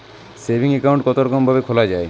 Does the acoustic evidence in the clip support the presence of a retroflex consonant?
yes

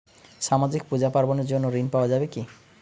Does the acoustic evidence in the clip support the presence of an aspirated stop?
no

